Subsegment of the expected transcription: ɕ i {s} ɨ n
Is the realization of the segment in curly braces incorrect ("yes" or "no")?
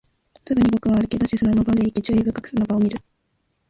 no